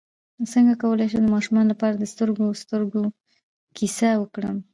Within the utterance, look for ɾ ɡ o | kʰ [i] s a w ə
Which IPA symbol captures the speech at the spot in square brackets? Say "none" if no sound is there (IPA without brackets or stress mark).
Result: i